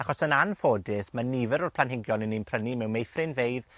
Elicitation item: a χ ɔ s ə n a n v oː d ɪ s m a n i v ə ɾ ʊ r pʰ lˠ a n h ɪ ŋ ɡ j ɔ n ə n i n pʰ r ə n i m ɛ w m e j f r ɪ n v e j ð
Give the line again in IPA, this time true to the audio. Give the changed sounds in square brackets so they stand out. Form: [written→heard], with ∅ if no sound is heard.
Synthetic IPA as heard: a χ ɔ s ə n a n [v→f] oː d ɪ s m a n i v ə ɾ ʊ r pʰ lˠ a n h ɪ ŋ ɡ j ɔ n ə n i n pʰ r ə n i m ɛ w m e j f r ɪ n v e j ð